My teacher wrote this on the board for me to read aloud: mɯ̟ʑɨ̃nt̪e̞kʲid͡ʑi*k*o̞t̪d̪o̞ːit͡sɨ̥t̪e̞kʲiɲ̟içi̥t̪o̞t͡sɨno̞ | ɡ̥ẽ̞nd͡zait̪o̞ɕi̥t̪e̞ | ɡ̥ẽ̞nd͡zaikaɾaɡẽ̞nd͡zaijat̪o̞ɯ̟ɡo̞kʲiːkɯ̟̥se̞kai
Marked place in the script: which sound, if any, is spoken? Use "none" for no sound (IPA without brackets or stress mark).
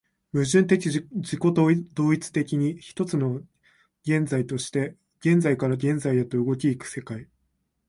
k